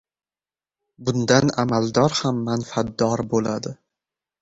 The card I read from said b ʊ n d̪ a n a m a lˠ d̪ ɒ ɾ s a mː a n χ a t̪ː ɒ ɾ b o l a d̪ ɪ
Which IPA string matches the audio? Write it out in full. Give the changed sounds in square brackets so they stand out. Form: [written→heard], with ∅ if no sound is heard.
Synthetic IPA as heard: b ʊ n d̪ a n a m a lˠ d̪ ɒ ɾ [s→h] a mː a n [χ→f] a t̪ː ɒ ɾ b o l a d̪ ɪ